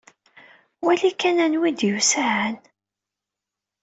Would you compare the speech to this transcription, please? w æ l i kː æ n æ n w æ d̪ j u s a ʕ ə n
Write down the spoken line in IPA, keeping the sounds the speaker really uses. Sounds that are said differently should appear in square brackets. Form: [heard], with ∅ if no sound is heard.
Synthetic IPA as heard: w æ l i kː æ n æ n w [i] d̪ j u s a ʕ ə n